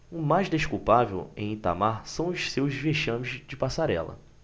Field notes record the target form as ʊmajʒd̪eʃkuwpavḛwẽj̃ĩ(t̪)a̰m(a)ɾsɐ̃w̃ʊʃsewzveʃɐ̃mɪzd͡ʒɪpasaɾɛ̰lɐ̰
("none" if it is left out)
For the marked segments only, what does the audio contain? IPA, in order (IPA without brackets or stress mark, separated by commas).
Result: t̪, a